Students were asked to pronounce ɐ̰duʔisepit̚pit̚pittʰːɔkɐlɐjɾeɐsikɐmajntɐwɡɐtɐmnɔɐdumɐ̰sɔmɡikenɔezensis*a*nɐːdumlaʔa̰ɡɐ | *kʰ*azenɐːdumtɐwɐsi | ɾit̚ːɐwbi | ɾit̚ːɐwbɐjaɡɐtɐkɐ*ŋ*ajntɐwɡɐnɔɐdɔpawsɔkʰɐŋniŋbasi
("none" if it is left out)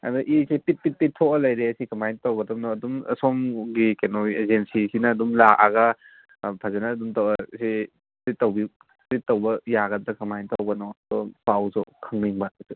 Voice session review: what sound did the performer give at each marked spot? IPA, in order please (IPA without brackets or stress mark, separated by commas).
i, pʰ, m